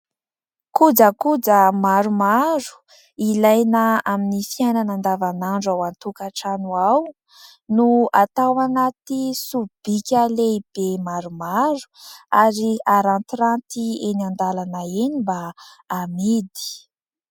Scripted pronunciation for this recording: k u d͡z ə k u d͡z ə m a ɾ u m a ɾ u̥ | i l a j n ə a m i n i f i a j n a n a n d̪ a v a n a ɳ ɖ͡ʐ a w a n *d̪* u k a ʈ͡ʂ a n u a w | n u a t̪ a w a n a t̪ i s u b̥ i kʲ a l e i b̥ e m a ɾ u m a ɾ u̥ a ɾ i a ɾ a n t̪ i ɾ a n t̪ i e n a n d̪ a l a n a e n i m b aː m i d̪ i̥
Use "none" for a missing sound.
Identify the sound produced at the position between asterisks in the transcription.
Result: t̪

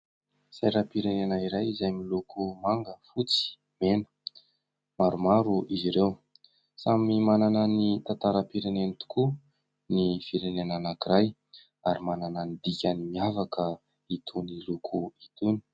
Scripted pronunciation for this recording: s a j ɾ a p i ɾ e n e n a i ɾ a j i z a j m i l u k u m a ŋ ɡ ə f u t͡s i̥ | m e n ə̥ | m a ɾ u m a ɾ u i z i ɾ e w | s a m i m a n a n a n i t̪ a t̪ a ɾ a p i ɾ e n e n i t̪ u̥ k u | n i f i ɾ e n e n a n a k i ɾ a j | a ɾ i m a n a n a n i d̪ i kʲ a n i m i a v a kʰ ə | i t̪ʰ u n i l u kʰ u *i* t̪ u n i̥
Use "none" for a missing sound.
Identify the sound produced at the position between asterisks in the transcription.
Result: i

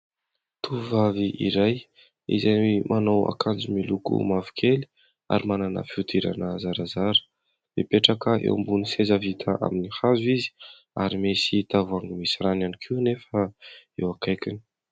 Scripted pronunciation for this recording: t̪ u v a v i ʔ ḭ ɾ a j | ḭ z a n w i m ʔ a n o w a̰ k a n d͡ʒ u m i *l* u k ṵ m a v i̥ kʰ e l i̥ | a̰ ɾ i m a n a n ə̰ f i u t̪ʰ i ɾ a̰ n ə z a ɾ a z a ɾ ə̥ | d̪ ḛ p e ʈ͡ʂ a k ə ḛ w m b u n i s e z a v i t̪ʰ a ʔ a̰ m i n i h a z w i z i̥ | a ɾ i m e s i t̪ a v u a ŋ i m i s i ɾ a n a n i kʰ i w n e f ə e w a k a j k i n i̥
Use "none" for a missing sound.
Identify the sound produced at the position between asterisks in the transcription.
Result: l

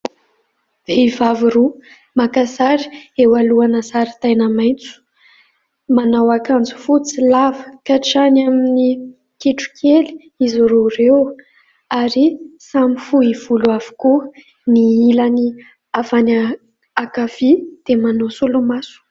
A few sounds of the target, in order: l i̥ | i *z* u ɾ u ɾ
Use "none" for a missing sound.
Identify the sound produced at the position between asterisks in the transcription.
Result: z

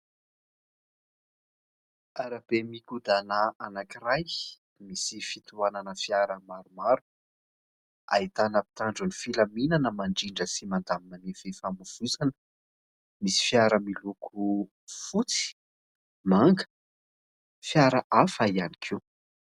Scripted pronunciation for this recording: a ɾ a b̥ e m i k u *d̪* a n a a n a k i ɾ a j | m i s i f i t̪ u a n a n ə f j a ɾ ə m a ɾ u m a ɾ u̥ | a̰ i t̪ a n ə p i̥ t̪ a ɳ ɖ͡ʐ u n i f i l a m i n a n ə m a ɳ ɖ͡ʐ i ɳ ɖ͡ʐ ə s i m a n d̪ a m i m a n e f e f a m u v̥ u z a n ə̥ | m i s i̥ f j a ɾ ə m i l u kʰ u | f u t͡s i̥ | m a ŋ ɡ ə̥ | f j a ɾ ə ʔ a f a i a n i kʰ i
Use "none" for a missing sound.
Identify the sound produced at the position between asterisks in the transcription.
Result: d̪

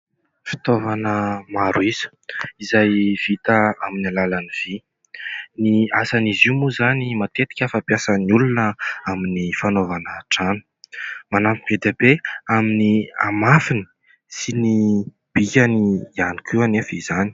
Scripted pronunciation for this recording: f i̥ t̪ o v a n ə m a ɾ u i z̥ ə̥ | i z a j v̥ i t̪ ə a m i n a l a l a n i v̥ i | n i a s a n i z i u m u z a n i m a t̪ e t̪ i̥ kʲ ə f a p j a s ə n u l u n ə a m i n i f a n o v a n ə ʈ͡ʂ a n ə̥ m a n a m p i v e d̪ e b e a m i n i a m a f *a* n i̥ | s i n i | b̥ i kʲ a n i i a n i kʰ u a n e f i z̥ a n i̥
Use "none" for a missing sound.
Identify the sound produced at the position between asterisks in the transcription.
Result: i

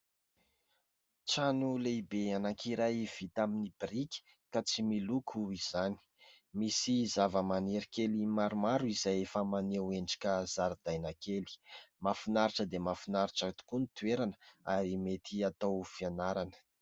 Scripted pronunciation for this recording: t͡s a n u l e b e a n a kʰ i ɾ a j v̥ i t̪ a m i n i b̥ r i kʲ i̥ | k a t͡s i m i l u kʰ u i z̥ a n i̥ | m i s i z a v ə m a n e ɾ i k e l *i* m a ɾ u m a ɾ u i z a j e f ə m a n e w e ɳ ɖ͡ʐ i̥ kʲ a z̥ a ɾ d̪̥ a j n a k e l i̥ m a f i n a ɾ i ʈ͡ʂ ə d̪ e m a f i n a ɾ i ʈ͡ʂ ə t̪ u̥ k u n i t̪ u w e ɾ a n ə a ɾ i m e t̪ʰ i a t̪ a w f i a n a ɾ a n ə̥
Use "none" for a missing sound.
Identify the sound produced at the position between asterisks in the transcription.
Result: i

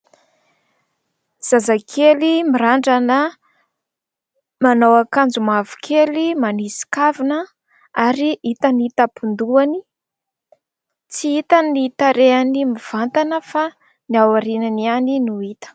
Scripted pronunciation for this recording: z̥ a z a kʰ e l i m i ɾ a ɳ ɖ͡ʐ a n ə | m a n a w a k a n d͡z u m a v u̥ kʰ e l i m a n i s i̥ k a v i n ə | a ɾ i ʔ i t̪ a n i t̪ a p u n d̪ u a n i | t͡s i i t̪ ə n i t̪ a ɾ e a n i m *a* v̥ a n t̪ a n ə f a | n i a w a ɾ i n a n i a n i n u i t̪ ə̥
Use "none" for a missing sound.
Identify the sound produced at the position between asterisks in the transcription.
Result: i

